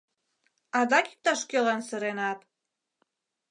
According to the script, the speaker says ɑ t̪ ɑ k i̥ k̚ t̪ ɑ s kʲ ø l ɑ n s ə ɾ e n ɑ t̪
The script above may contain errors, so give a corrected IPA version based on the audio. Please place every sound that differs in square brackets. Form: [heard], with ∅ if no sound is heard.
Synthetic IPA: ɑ [d̪] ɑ k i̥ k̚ t̪ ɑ [ʃ] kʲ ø l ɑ n s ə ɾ e n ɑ t̪